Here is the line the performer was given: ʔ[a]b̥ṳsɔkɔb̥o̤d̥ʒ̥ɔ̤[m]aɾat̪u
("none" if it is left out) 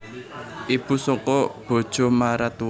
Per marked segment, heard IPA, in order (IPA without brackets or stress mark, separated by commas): i, m